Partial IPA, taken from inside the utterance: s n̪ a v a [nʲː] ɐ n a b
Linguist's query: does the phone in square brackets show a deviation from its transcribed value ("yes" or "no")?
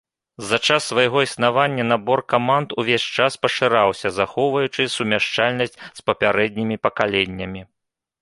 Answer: no